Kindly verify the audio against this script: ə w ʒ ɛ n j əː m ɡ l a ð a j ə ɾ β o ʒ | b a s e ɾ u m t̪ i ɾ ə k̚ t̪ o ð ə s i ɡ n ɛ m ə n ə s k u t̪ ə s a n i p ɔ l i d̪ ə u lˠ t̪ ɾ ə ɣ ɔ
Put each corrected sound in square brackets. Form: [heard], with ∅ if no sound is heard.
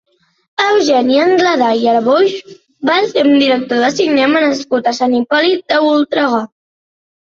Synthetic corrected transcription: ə w ʒ ɛ n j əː [ŋ] ɡ l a ð a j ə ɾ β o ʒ | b a s e ɾ u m [d̪] i ɾ ə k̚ t̪ o ð ə s i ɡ n ɛ m ə n ə s k u t̪ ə s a n i p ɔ l i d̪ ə u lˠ t̪ ɾ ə ɣ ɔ